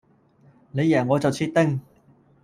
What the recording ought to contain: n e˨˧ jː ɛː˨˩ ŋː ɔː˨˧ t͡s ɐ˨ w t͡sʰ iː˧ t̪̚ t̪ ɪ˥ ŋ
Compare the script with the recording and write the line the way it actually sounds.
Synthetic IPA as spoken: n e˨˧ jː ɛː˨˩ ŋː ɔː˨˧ t͡s ɐ˨ w t͡sʰ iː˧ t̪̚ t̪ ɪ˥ ŋ